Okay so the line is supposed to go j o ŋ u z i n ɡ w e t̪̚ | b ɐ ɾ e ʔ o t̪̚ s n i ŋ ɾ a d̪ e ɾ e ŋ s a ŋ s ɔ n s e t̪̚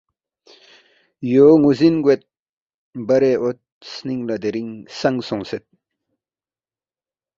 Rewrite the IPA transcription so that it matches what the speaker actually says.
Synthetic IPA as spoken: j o ŋ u z i n ɡ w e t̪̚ | b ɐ ɾ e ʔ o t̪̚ s n i ŋ l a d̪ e ɾ i ŋ s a ŋ s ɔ ŋ s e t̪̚